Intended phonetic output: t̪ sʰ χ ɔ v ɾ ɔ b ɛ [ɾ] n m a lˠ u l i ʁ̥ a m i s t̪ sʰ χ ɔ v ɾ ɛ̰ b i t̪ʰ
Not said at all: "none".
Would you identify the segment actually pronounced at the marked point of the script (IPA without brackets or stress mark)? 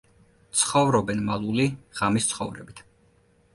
none